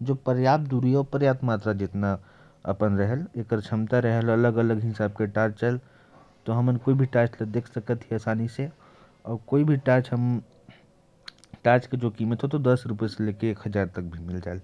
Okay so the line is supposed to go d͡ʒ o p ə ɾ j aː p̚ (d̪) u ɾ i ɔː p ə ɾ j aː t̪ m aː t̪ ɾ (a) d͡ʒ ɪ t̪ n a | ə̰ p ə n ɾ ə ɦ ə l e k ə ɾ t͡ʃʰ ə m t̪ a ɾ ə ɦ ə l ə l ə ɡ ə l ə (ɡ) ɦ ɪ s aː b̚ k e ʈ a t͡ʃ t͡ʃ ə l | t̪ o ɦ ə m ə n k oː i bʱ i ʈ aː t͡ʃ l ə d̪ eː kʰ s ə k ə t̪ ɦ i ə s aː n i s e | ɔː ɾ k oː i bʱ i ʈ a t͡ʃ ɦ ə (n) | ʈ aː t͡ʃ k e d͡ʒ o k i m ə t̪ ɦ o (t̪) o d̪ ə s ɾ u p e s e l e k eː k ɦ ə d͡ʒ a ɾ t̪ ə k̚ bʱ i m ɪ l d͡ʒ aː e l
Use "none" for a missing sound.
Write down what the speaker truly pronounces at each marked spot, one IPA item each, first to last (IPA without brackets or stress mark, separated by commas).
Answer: d̪, a, ɡ, m, t̪